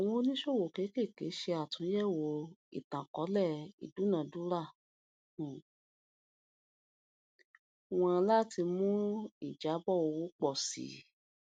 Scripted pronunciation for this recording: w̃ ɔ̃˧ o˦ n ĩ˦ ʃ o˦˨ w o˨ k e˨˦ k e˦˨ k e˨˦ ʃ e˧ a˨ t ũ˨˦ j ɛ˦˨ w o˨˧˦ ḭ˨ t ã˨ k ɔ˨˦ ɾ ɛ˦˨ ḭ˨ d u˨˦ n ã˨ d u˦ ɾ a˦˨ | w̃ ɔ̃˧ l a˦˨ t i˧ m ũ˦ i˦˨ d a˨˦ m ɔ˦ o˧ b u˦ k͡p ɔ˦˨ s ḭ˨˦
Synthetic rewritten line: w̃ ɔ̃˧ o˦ n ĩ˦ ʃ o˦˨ w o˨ k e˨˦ k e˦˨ k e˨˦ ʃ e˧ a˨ t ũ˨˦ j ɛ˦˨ w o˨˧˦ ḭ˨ t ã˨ k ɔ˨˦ l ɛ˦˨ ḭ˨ d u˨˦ n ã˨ d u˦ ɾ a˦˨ | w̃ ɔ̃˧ l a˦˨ t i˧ m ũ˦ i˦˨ d͡ʒ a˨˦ b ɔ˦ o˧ w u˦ k͡p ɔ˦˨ s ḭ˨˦